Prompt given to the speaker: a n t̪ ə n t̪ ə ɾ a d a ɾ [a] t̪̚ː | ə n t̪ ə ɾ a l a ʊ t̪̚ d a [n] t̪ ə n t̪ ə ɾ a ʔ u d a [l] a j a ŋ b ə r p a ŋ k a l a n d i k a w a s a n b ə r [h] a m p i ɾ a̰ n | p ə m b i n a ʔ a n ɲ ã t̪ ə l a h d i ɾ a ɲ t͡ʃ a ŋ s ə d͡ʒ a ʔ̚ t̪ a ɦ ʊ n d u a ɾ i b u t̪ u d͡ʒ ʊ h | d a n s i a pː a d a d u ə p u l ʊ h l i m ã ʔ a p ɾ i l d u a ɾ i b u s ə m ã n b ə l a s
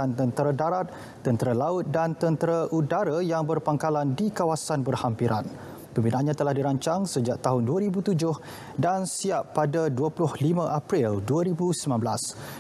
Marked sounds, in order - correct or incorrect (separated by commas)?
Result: correct, correct, incorrect, correct